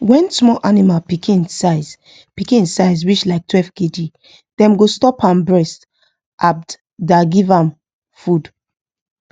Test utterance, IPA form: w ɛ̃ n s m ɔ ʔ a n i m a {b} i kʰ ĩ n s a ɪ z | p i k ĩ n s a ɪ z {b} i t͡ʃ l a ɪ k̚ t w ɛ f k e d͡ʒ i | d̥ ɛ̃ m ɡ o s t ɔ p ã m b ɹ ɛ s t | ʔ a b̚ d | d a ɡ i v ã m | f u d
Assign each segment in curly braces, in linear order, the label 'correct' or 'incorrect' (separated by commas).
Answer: incorrect, incorrect